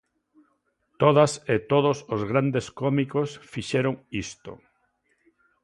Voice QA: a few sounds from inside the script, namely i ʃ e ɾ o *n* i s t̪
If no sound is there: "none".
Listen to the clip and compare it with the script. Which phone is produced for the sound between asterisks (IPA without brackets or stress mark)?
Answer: ŋ